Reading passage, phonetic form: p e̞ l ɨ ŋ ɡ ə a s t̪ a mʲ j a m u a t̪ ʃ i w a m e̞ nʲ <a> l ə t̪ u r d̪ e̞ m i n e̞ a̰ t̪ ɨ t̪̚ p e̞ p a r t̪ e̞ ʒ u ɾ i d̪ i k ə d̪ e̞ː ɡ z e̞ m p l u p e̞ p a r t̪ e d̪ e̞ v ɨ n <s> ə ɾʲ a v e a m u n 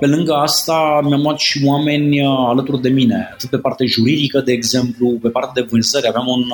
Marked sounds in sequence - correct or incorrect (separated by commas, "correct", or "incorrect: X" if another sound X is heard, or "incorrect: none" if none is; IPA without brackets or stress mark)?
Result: correct, incorrect: z